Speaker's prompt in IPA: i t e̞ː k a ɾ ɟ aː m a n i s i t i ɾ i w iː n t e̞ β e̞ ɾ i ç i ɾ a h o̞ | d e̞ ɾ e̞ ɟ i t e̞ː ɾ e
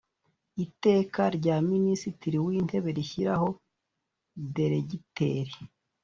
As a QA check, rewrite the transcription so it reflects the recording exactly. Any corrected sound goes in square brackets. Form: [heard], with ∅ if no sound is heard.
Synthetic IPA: i t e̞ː k a ɾ ɟ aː m [i] n i s i t i ɾ i w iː n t e̞ β e̞ ɾ i ç i ɾ a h o̞ | d e̞ ɾ e̞ ɟ i t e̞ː ɾ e